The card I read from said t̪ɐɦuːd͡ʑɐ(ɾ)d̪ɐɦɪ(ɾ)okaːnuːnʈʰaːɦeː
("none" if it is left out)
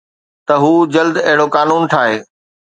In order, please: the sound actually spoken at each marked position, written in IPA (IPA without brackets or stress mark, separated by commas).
l, ɽ